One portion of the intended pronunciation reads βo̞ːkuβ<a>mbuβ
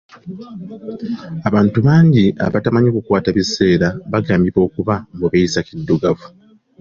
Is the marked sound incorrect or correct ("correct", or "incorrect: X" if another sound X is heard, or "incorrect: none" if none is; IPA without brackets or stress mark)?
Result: correct